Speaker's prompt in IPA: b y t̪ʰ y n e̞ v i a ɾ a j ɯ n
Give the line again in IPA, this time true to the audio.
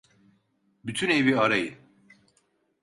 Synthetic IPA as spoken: b y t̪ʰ y n e̞ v i a ɾ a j ɯ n